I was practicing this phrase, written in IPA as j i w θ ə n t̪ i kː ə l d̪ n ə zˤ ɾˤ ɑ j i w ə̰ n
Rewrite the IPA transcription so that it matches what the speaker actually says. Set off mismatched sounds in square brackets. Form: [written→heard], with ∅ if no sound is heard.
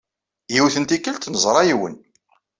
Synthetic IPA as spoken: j i w θ ə n t̪ i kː ə l [d̪→t̪] n ə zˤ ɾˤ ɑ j i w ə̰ n